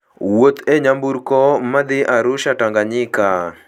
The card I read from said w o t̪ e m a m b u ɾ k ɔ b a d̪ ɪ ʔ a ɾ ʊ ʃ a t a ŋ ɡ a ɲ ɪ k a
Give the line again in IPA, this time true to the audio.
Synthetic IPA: w o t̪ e ɲ a m b u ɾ k ɔ m a d̪ ɪ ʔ a ɾ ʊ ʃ a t a ŋ ɡ a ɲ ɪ k a